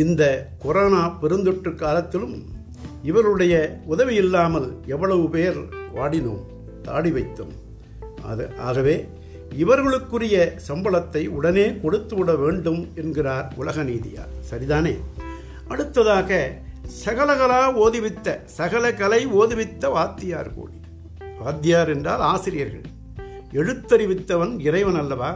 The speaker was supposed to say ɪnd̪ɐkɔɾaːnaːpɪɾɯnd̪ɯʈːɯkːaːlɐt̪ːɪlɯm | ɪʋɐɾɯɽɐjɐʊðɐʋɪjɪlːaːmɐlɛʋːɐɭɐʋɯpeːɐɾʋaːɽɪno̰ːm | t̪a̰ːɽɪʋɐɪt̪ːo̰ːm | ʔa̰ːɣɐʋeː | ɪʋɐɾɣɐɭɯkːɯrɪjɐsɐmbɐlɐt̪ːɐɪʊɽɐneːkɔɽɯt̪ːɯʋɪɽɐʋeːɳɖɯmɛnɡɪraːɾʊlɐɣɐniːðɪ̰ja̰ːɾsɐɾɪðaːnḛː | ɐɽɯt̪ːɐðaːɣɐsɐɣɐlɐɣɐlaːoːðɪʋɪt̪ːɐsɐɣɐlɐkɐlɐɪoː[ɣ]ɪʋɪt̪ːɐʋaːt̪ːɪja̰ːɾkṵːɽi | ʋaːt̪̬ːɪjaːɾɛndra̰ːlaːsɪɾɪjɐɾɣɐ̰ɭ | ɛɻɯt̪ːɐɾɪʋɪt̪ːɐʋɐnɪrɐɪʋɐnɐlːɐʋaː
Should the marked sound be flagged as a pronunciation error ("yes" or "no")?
yes